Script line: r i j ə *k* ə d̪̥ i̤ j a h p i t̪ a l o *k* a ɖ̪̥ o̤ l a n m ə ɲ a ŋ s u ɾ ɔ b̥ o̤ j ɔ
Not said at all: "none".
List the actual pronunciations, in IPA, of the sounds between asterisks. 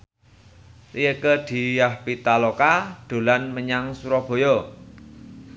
k, k

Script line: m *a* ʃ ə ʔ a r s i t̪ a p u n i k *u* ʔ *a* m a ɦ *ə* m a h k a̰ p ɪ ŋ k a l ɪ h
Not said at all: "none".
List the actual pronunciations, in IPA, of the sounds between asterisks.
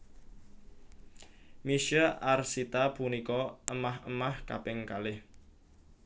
i, ɔ, ə, ə

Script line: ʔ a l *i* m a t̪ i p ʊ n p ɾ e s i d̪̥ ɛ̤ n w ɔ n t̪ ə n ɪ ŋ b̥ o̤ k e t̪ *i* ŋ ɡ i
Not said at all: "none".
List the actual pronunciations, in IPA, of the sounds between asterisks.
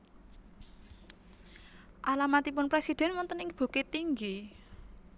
a, i

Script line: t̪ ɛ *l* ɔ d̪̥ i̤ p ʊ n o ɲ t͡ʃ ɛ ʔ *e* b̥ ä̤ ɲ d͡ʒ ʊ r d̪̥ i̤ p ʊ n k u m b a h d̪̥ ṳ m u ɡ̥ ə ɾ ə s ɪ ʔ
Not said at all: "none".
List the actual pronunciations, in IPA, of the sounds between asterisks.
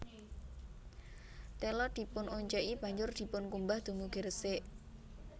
l, i

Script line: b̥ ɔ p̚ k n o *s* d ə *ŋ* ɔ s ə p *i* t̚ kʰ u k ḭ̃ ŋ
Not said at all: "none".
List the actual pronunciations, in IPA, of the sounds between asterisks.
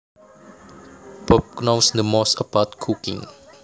s, m, a

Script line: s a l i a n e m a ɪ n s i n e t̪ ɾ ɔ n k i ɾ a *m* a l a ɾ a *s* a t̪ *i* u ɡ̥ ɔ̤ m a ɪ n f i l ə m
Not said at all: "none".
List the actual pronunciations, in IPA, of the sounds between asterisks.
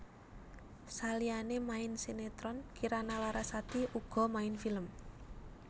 n, s, i

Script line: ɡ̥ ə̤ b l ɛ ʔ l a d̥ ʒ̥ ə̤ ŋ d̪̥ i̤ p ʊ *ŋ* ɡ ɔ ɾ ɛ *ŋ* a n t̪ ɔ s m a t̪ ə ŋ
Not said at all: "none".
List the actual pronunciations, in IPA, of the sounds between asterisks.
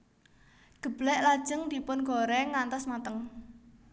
n, ŋ

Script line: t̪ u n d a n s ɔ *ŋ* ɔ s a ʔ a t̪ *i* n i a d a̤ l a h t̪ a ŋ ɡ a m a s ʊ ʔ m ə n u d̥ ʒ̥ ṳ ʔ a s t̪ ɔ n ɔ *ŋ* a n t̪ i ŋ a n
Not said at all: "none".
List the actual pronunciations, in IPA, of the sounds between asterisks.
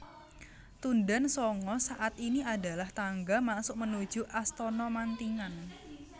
ŋ, i, m

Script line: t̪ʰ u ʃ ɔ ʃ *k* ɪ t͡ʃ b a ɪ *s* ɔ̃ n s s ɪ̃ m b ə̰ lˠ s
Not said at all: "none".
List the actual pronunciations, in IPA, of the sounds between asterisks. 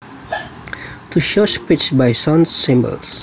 p, s

